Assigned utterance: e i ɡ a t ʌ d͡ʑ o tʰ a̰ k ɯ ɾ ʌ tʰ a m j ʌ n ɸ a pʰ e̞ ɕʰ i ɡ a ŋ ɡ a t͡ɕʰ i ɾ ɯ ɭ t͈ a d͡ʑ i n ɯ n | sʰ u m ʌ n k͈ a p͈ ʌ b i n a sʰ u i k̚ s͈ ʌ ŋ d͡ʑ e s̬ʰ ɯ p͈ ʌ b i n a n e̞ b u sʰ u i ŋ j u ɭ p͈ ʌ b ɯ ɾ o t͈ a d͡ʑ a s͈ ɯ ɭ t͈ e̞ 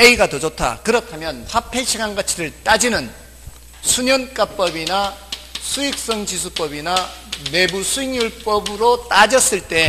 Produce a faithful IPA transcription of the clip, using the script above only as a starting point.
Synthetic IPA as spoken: e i ɡ a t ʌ d͡ʑ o tʰ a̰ k ɯ ɾ ʌ tʰ a m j ʌ n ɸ a pʰ e̞ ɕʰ i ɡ a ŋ ɡ a t͡ɕʰ i ɾ ɯ ɭ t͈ a d͡ʑ i n ɯ n | sʰ u ɲ ʌ n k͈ a p͈ ʌ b i n a sʰ u i k̚ s͈ ʌ ŋ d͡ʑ i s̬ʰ u p͈ ʌ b i n a n e̞ b u sʰ u i ŋ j u ɭ p͈ ʌ b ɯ ɾ o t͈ a d͡ʑ ʌ s͈ ɯ ɭ t͈ e̞